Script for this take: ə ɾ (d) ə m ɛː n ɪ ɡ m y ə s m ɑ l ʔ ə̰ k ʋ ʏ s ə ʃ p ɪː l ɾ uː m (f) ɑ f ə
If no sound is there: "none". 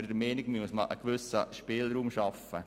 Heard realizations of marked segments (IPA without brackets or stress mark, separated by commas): d, ʃ